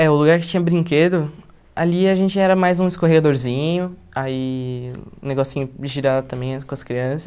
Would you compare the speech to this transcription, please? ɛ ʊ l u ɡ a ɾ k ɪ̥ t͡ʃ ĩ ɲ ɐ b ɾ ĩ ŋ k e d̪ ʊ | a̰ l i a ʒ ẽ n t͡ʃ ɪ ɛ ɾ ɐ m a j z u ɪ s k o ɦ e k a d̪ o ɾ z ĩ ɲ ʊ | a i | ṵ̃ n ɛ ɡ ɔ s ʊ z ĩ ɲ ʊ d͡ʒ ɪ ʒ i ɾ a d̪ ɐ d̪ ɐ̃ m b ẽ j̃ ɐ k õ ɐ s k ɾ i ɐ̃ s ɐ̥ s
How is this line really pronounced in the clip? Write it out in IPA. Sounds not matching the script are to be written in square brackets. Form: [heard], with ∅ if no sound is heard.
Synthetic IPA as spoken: ɛ ʊ l u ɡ a ɾ k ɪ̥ t͡ʃ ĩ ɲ ɐ b ɾ ĩ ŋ k e d̪ ʊ | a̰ l i a ʒ ẽ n t͡ʃ ɪ ɛ ɾ ɐ m a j z [ũ] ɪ s k o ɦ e [ɡ] a d̪ o ɾ z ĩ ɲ ʊ | a i | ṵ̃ n [e] ɡ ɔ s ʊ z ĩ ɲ ʊ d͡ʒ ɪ ʒ i ɾ a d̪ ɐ [t̪] ɐ̃ m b ẽ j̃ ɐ k õ ɐ s k ɾ i ɐ̃ s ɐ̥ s

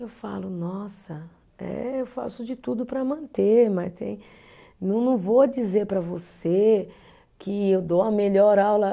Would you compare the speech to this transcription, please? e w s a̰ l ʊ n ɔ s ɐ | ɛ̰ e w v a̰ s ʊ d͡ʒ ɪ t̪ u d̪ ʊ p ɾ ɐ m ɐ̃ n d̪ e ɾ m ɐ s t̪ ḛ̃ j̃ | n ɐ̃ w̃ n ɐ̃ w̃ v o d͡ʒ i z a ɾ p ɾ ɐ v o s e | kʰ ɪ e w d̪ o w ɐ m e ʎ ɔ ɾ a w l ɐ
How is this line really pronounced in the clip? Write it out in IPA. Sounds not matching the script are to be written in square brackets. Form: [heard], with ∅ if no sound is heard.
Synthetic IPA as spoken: e w [f] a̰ l ʊ n ɔ s ɐ | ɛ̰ e w [f] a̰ s ʊ d͡ʒ ɪ t̪ u d̪ ʊ p ɾ ɐ m ɐ̃ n [t̪] e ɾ m ɐ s t̪ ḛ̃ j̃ | n ɐ̃ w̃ n ɐ̃ w̃ v o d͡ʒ i z [e] ɾ p ɾ ɐ v o s e | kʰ ɪ e w d̪ o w ɐ m e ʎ ɔ ɾ a w l ɐ

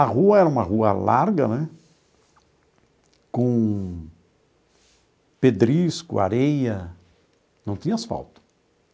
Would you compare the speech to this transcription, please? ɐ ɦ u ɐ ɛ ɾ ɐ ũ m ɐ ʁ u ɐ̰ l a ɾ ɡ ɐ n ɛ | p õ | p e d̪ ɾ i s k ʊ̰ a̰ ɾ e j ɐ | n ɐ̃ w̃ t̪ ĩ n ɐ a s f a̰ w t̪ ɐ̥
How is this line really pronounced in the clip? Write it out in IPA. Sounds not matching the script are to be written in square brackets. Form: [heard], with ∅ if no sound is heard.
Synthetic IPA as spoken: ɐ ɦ u ɐ ɛ ɾ ɐ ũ m ɐ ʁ u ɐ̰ l a ɾ ɡ ɐ n ɛ | [k] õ | p e d̪ ɾ i s k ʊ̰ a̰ ɾ e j ɐ | n ɐ̃ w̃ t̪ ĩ [ɲ] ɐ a s f a̰ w t̪ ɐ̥

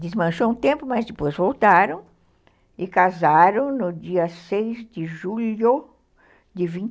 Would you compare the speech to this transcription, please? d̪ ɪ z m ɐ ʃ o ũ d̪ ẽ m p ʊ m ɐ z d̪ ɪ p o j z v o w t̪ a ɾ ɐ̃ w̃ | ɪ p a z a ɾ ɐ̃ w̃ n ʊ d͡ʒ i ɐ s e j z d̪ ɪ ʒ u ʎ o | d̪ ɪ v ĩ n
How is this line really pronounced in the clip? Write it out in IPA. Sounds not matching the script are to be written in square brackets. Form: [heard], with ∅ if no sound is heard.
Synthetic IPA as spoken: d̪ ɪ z m [ɐ̃] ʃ o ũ [t̪] ẽ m p ʊ m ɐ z d̪ ɪ p o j z v o w t̪ a ɾ ɐ̃ w̃ | ɪ [k] a z a ɾ ɐ̃ w̃ n ʊ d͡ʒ i ɐ s e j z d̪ ɪ ʒ u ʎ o | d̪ ɪ v ĩ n

